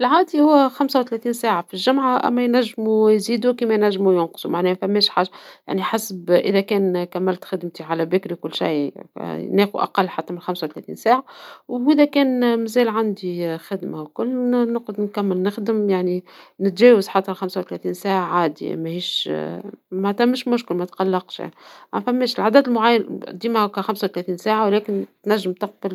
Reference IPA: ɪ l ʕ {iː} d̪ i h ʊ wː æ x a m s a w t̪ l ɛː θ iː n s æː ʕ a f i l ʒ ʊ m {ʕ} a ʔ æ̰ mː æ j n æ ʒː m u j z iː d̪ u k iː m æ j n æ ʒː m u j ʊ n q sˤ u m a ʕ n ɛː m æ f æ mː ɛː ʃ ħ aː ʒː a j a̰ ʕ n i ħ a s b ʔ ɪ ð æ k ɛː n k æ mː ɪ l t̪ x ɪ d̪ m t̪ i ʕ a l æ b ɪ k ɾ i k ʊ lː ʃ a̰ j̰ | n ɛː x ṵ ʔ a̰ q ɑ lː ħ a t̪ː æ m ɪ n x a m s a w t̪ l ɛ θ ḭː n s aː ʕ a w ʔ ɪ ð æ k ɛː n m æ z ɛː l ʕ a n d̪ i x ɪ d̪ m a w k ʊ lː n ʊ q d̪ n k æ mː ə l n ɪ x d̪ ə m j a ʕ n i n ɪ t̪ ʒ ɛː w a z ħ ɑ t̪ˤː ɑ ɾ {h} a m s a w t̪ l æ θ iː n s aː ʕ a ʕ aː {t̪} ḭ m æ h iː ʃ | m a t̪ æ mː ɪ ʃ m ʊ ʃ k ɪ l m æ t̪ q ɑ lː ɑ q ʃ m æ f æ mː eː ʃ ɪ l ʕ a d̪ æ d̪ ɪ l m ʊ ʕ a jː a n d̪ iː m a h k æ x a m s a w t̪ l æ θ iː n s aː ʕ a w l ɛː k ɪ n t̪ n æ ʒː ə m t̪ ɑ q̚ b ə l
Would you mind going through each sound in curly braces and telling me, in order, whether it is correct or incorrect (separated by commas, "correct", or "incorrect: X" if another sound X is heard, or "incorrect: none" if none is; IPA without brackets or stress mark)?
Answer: incorrect: aː, correct, incorrect: x, incorrect: d̪